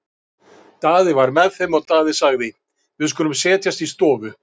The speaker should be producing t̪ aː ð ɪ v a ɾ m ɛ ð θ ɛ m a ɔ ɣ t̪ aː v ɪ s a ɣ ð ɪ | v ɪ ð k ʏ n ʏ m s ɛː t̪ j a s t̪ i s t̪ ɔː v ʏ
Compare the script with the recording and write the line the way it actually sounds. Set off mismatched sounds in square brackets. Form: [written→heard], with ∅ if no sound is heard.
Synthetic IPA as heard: t̪ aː ð ɪ v a ɾ m ɛ ð θ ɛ m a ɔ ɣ t̪ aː [v→ð] ɪ s a ɣ ð ɪ | v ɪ ð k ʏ n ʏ m s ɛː t̪ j a s t̪ i s t̪ ɔː v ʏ